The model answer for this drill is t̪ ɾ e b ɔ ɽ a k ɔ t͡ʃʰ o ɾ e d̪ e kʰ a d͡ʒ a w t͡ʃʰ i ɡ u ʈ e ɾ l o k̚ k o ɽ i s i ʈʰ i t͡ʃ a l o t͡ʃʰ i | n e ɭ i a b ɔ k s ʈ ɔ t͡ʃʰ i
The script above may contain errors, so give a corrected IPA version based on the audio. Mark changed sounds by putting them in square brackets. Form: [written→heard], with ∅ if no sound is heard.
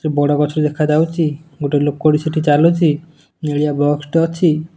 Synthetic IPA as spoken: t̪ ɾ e b ɔ ɽ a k ɔ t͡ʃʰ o ɾ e d̪ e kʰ a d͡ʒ a w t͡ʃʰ i ɡ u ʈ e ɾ l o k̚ k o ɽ i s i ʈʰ i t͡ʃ a l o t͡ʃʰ i | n e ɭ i a b ɔ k s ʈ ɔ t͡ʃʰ i